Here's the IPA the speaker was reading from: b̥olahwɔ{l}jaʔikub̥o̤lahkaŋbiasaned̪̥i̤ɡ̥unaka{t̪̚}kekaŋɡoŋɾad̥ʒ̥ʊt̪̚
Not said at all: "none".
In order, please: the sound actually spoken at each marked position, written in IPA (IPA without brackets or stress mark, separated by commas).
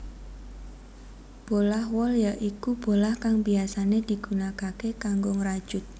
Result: l, none